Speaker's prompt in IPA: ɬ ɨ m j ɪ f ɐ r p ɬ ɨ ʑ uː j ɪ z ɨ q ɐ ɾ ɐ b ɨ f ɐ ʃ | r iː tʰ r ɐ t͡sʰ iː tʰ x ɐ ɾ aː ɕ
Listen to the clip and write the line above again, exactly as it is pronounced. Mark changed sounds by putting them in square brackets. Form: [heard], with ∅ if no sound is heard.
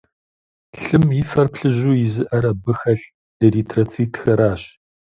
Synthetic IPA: ɬ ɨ m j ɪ f ɐ r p ɬ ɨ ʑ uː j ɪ z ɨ [ʔ] ɐ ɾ ɐ b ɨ [x] ɐ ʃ | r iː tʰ r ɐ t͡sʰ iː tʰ x ɐ ɾ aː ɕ